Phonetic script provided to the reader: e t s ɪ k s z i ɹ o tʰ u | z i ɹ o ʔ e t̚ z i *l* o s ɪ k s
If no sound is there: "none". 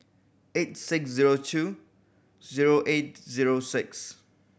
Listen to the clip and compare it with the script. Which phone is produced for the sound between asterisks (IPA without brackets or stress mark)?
ɹ